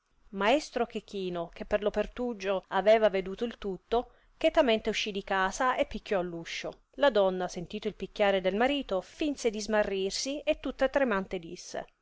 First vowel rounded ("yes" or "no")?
no